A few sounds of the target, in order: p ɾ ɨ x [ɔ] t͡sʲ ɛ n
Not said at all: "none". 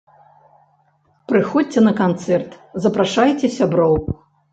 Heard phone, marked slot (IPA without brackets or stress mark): ɔ